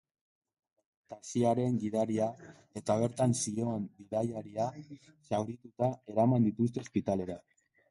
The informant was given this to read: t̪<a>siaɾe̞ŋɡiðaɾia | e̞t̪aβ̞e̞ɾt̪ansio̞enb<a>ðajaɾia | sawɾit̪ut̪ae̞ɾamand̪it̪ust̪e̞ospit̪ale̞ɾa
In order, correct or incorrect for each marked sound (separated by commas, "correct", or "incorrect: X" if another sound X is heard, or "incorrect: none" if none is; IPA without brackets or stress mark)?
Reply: correct, incorrect: i